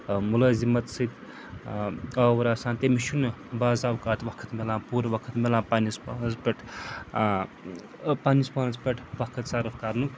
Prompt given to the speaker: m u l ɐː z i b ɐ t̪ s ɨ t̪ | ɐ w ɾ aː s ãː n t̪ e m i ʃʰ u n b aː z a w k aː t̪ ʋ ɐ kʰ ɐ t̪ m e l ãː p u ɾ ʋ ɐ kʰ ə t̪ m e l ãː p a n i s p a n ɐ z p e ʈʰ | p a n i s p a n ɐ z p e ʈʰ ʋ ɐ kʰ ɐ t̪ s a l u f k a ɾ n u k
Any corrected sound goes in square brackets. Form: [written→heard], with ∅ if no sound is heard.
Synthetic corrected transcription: m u l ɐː z i [b→m] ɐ t̪ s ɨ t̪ | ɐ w ɾ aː s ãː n t̪ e m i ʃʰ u n b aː z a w k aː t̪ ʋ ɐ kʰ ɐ t̪ m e l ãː p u ɾ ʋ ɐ kʰ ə t̪ m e l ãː p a n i s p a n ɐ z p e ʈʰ | p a n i s p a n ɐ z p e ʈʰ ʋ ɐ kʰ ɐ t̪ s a [l→ɾ] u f k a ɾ n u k